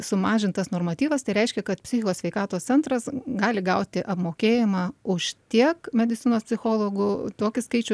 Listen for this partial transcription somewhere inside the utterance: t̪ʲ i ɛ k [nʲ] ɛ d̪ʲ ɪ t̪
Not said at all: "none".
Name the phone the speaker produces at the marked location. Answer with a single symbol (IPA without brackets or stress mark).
mʲ